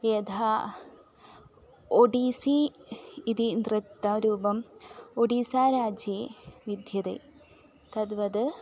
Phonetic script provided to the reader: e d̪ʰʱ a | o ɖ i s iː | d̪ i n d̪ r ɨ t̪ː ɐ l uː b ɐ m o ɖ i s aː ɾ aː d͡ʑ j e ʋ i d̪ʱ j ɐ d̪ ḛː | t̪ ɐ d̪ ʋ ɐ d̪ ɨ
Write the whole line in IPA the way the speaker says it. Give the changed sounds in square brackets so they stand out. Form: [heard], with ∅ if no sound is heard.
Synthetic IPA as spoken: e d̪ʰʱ a | o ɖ i s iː | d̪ i n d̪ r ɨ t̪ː ɐ [ɾ] uː b ɐ m o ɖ i s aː ɾ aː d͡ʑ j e ʋ i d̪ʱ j ɐ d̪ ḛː | t̪ ɐ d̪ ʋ ɐ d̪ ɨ